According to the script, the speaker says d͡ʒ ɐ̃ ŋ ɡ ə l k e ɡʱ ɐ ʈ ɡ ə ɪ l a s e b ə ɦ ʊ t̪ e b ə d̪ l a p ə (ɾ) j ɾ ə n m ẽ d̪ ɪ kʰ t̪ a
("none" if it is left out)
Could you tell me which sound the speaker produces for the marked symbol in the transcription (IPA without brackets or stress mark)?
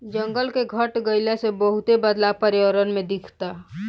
ɾ